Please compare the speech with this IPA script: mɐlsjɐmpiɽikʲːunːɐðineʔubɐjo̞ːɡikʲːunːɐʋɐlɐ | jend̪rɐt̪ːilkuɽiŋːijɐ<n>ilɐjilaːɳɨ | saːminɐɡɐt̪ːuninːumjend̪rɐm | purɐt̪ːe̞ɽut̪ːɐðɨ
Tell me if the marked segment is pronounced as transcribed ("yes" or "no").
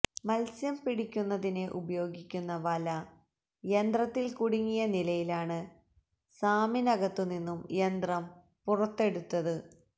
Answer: yes